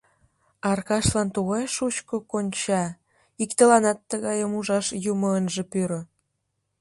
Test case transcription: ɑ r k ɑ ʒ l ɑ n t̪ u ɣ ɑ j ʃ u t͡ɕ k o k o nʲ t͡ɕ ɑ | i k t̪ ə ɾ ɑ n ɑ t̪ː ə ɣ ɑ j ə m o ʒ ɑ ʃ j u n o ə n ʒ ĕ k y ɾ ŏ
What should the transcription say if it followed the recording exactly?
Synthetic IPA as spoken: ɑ r k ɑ ʃ l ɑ n t̪ u ɣ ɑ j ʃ u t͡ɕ k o k o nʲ t͡ɕ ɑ | i k t̪ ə l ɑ n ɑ t̪ː ə ɣ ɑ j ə m u ʒ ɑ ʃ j u m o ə n ʒ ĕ p y ɾ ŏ